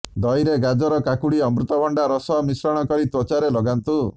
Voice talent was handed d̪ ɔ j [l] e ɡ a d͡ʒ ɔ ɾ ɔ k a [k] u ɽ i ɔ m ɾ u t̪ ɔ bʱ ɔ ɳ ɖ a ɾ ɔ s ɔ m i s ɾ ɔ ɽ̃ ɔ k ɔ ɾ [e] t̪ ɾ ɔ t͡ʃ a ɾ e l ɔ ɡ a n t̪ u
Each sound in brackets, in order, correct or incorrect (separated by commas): incorrect, correct, incorrect